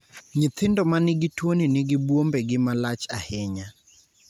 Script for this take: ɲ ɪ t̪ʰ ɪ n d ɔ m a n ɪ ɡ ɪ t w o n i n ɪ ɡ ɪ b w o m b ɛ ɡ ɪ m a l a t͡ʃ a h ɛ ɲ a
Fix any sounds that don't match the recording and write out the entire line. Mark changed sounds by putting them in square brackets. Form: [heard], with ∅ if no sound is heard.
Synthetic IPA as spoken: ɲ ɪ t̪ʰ ɪ n d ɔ m a n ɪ ɡ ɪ t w o n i n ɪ ɡ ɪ b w o m b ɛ ɡ ɪ m a l a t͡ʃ a h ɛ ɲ a